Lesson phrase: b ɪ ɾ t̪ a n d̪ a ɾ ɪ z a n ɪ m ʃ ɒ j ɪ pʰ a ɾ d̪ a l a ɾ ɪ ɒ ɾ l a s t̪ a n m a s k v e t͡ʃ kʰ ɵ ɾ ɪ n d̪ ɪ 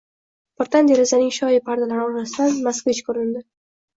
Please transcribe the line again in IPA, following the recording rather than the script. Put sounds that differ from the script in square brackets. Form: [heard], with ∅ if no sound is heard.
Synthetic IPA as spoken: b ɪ ɾ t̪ a n d̪ [e] ɾ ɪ z a n ɪ [ŋ] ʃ ɒ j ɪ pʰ a ɾ d̪ a l a ɾ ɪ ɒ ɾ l a s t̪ a n m a s k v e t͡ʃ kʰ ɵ ɾ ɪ n d̪ ɪ